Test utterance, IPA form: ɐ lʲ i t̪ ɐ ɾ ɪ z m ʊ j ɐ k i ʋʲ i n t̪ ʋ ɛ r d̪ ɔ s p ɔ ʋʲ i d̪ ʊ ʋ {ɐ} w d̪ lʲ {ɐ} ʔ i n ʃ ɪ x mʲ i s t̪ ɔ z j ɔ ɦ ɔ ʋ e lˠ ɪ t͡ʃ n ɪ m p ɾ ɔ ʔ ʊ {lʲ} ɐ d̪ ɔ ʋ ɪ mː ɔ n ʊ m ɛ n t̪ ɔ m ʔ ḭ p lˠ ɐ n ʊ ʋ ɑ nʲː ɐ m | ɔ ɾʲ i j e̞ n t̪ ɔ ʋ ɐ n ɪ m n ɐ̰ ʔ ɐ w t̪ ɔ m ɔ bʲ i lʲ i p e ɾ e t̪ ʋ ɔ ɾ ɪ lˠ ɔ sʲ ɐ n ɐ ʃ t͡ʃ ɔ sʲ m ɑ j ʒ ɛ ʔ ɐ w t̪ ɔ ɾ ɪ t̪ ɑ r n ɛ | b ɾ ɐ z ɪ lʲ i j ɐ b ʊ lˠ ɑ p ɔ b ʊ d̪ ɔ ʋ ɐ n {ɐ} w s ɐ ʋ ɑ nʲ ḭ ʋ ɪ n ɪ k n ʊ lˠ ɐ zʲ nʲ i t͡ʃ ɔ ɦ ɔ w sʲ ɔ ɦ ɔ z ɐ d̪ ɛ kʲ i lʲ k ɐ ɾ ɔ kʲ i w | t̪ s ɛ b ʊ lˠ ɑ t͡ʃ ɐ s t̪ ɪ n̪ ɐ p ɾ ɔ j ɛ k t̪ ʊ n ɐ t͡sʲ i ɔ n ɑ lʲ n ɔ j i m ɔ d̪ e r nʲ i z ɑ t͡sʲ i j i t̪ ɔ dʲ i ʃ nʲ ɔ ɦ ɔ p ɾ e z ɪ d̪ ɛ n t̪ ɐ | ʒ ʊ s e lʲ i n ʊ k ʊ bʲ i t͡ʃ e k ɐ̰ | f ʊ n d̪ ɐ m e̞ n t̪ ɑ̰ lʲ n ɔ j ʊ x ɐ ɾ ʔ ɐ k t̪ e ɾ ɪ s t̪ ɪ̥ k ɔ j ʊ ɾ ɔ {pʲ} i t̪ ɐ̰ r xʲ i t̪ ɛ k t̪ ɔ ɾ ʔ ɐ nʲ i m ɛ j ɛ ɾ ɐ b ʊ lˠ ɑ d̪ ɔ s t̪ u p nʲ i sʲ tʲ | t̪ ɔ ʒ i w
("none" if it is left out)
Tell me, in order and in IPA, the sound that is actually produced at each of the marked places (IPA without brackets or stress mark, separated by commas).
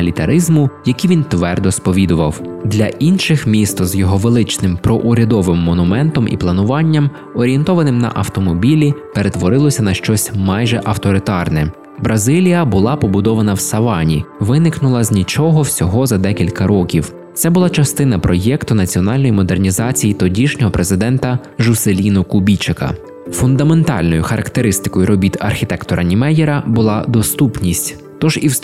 ɐ, ɐ, ɾʲ, ɐ, bʲ